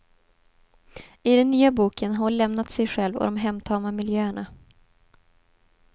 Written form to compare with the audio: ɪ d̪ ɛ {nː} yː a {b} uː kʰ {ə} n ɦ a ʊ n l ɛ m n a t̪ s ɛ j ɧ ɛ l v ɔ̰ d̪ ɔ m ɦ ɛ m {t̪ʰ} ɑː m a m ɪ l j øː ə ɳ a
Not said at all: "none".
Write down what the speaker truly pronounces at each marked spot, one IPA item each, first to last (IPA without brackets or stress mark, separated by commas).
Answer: nː, b, ə, t̪ʰ